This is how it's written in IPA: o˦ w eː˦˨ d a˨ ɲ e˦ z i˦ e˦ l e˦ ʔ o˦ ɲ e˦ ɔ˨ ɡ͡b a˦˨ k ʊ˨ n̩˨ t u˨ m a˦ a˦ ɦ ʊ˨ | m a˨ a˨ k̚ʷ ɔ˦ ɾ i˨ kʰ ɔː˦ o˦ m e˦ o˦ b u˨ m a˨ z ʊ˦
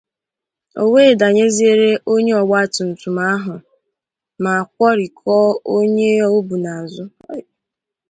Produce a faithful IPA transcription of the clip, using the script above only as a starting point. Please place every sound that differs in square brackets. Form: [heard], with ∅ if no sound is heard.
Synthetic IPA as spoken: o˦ w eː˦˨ d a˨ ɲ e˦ z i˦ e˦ [ɾ] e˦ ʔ o˦ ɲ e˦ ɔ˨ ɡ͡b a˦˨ [t] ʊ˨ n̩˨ t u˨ m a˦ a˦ ɦ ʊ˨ | m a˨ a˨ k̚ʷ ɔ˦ ɾ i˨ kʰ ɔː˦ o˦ [ɲ] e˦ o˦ b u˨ [n] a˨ z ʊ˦